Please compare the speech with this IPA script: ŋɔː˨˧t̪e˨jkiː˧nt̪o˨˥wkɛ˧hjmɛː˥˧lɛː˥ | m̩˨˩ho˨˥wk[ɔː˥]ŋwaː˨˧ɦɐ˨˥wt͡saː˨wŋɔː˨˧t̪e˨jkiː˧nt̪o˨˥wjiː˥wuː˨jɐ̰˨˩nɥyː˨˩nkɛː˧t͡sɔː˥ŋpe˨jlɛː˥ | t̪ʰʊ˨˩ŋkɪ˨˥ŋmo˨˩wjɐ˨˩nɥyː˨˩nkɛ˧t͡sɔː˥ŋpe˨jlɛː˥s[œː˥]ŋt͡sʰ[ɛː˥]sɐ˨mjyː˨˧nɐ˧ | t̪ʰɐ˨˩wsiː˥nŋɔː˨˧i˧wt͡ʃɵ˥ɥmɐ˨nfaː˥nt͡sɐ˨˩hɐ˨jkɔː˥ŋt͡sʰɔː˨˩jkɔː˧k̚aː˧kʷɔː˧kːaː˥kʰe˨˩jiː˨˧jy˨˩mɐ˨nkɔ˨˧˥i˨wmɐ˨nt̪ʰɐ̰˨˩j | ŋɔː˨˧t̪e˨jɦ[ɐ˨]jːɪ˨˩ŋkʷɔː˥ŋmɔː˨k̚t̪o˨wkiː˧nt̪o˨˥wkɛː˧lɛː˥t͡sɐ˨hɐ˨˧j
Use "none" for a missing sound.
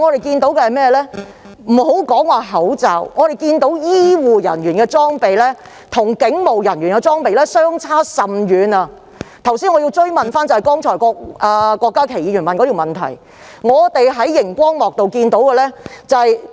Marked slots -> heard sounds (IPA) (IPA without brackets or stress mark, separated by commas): ɔː˨˥, œː˥, aː˥, ɐ˨˥